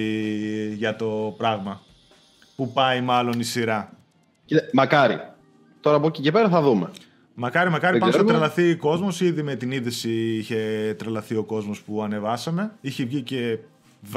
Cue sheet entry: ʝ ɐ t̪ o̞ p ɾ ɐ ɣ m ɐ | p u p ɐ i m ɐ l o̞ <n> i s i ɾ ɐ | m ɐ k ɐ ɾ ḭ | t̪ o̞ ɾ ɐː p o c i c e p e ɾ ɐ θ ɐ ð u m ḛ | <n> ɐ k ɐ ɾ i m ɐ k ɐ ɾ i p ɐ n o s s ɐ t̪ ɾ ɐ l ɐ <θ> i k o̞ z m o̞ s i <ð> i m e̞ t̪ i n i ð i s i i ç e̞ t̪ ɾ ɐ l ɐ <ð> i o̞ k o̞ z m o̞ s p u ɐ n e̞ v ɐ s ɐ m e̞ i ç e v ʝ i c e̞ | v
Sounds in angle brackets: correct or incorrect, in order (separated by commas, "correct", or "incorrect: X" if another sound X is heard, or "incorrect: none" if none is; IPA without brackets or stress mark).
correct, incorrect: m, correct, correct, incorrect: θ